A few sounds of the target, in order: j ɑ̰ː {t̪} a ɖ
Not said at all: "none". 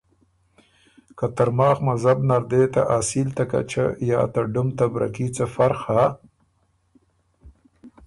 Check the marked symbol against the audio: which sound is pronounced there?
t̪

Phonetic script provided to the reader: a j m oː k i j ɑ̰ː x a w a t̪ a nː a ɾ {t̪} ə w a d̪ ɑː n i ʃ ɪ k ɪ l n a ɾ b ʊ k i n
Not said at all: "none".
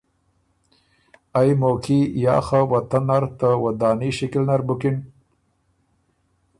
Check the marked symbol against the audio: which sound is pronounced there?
t̪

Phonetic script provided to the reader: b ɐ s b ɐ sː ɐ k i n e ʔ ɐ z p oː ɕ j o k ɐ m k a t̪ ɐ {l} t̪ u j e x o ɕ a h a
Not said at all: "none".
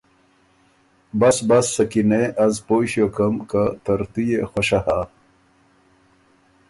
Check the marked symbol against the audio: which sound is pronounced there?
ɾ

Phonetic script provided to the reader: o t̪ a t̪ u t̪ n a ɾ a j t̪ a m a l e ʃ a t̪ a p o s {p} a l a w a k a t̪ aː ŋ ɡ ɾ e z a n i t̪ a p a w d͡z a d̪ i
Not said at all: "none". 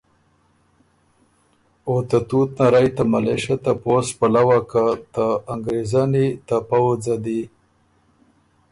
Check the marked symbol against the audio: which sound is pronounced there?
p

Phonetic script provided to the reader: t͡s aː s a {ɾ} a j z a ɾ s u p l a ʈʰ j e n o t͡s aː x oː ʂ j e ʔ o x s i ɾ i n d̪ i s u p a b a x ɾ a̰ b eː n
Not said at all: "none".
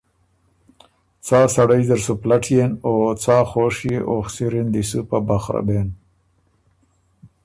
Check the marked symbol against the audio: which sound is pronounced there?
ɽ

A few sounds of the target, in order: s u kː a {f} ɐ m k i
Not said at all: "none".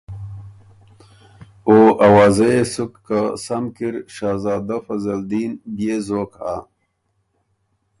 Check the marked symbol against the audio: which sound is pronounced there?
s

